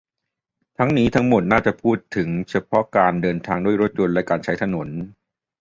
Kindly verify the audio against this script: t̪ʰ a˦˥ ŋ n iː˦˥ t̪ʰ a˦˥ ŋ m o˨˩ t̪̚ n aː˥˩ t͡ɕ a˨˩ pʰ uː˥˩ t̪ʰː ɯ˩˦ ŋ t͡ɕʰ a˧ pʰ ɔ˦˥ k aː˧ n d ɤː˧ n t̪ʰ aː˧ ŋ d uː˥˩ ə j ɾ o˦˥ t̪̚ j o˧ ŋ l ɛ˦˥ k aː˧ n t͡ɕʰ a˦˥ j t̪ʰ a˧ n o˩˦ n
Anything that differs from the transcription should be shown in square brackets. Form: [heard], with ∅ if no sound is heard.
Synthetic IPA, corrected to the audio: t̪ʰ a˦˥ ŋ n iː˦˥ t̪ʰ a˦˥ ŋ m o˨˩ t̪̚ n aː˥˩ t͡ɕ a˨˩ pʰ uː˥˩ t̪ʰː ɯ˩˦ ŋ t͡ɕʰ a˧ pʰ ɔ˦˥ k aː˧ n d ɤː˧ n t̪ʰ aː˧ ŋ d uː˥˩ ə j ɾ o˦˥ t̪̚ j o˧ [n] l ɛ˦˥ k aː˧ n t͡ɕʰ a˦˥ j t̪ʰ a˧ n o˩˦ n